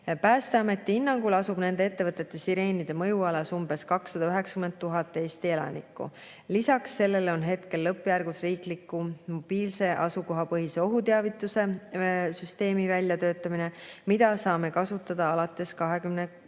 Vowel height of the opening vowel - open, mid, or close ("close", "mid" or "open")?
open